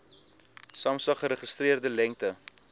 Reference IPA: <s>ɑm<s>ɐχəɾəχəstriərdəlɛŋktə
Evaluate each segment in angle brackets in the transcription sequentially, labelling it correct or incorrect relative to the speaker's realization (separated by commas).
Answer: correct, correct